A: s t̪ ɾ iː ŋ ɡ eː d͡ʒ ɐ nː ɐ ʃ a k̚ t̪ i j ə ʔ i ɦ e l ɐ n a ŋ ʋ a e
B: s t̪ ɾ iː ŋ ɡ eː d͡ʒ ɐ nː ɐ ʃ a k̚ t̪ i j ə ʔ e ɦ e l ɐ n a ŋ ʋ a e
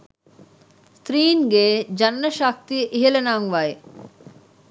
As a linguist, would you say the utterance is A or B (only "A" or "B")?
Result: A